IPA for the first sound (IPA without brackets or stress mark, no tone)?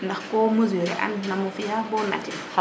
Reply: n